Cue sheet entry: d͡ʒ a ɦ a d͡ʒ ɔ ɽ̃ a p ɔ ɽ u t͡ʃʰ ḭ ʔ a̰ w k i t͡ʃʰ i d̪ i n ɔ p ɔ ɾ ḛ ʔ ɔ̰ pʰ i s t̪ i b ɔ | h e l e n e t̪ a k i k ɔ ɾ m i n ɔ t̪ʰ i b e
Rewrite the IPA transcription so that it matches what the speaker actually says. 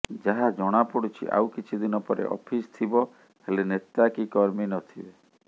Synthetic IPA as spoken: d͡ʒ a ɦ a d͡ʒ ɔ ɽ̃ a p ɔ ɽ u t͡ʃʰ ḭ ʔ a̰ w k i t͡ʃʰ i d̪ i n ɔ p ɔ ɾ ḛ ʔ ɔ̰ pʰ i s t̪ʰ i b ɔ | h e l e n e t̪ a k i k ɔ ɾ m i n ɔ t̪ʰ i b e